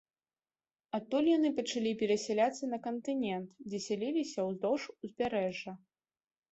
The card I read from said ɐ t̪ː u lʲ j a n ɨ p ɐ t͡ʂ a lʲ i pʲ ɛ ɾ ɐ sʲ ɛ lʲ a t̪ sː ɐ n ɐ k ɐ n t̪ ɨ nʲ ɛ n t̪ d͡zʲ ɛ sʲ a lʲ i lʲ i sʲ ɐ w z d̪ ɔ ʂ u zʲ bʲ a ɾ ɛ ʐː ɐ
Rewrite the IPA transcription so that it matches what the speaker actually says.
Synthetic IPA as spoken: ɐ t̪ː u lʲ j a n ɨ p ɐ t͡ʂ a lʲ i pʲ ɛ ɾ ɐ sʲ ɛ lʲ a t̪ sː ɐ n ɐ k ɐ n t̪ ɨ nʲ ɛ n t̪ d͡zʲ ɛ sʲ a lʲ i lʲ i sʲ ɐ w z d̪ ɔ ʂ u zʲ bʲ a ɾ ɛ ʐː ɐ